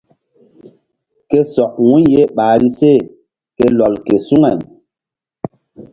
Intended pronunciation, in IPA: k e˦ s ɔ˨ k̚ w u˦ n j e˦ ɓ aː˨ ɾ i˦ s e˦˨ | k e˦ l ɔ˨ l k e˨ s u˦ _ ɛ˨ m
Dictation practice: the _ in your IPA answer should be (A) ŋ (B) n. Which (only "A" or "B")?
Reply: A